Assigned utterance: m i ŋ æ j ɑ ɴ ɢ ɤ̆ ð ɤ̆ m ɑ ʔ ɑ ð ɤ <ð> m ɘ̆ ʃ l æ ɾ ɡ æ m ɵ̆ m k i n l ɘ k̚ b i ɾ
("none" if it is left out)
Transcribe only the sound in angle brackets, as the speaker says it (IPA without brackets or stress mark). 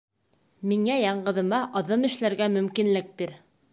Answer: none